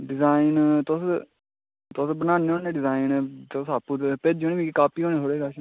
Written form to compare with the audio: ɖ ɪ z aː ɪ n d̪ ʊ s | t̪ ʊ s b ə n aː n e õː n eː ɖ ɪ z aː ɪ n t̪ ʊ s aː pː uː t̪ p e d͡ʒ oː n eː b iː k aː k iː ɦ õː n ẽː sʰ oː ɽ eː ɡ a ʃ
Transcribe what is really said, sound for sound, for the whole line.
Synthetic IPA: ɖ ɪ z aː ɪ n t̪ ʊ s | t̪ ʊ s b ə n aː n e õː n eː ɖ ɪ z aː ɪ n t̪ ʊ s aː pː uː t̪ p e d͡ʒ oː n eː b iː k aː p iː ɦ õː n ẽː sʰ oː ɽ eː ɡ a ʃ

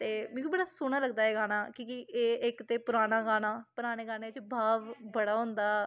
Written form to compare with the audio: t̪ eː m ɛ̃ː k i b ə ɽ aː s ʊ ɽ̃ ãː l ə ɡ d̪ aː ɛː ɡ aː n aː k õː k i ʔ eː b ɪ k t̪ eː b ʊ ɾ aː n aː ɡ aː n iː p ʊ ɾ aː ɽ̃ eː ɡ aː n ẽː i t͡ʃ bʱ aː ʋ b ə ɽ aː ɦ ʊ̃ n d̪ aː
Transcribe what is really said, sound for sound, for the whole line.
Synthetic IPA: t̪ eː m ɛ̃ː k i b ə ɽ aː s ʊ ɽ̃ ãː l ə ɡ d̪ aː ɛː ɡ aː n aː k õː k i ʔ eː ɪ k t̪ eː p ʊ ɾ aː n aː ɡ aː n aː p ʊ ɾ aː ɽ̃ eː ɡ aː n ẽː ɪ t͡ʃ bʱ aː ʋ b ə ɽ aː ɦ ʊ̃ n d̪ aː

